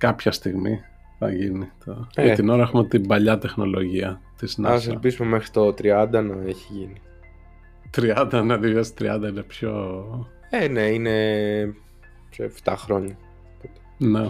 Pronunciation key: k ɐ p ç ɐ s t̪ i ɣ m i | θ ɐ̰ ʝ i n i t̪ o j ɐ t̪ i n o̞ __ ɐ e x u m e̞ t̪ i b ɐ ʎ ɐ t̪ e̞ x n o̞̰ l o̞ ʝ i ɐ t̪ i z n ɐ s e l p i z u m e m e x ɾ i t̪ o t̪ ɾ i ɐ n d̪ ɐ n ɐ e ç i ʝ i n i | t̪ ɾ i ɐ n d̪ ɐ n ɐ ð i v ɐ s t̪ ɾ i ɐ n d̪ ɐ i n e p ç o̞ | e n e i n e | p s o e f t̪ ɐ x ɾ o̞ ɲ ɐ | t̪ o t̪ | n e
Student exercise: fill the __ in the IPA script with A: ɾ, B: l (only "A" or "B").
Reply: A